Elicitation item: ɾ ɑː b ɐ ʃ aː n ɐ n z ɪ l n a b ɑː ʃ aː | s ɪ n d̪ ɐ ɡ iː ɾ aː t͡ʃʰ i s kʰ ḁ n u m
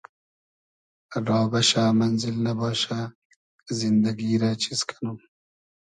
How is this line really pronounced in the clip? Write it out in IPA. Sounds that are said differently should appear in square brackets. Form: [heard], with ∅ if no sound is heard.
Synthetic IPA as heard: ɾ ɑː b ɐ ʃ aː [m] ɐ n z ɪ l n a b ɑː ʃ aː | [z] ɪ n d̪ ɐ ɡ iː ɾ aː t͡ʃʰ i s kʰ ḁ n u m